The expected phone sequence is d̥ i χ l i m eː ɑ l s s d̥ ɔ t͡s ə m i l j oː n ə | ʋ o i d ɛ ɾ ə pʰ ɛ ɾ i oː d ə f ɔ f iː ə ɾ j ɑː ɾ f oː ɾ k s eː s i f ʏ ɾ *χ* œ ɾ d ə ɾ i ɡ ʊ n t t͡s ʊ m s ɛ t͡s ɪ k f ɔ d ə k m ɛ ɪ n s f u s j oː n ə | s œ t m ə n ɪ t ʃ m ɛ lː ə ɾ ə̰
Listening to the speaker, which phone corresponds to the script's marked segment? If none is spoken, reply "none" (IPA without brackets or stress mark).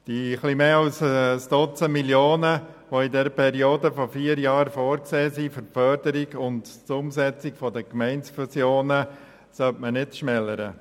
f